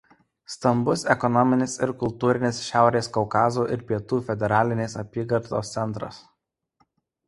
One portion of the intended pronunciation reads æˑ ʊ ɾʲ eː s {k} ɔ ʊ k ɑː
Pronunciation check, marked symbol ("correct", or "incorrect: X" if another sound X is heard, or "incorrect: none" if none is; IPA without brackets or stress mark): correct